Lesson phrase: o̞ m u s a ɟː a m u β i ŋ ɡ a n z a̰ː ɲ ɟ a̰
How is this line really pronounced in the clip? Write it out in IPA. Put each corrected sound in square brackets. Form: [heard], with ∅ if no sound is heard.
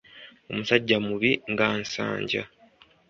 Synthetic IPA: o̞ m u s a ɟː a m u β i ŋ ɡ a n [s] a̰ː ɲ ɟ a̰